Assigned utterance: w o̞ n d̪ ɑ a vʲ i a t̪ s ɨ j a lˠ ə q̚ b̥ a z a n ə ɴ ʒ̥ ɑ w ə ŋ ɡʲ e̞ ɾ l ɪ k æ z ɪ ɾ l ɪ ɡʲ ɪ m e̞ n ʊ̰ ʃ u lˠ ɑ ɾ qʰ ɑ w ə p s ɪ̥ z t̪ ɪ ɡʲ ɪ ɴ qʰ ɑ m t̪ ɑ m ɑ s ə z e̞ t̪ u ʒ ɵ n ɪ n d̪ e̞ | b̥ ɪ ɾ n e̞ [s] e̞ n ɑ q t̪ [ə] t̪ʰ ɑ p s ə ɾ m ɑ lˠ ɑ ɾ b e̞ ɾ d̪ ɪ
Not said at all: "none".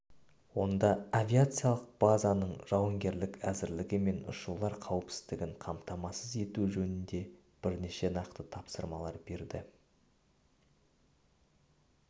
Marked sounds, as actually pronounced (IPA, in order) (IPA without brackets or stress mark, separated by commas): ʃ, ə